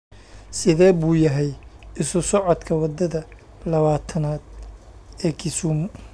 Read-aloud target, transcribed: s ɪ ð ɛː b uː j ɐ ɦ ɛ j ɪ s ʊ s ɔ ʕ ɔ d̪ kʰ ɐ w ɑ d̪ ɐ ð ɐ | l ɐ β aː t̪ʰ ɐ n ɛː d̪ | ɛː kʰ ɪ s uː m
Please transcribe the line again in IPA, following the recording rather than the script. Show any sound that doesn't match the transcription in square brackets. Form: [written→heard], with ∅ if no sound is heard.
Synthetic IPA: s ɪ ð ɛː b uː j ɐ ɦ ɛ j ɪ s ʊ s ɔ ʕ ɔ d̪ kʰ ɐ w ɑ d̪ ɐ ð ɐ | l ɐ β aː t̪ʰ ɐ n [ɛː→aː] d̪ | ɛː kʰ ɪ s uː m